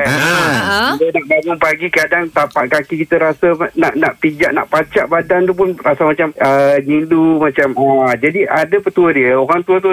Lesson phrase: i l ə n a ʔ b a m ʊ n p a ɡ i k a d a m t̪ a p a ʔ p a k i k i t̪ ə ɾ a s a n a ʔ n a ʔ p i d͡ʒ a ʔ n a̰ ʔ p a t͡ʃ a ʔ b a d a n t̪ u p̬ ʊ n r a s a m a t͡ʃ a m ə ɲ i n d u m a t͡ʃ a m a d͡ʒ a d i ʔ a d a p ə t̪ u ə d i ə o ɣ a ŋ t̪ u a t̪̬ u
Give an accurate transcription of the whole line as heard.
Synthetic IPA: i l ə n a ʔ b a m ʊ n p a ɡ i k a d a ŋ t̪ a p a ʔ k a k i k i t̪ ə ɾ a s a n a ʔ n a ʔ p i d͡ʒ a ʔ n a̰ ʔ p a t͡ʃ a ʔ b a d a n t̪ u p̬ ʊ n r a s a m a t͡ʃ a m ə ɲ i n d u m a t͡ʃ a m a d͡ʒ a d i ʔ a d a p ə t̪ u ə d i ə o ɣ a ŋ t̪ u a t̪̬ u